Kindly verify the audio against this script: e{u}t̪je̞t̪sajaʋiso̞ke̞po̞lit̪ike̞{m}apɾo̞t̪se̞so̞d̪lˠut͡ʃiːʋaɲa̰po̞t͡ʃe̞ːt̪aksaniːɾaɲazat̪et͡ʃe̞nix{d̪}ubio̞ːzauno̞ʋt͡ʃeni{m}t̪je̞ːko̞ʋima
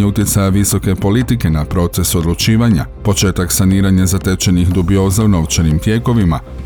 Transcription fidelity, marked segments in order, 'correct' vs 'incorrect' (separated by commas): correct, incorrect, correct, correct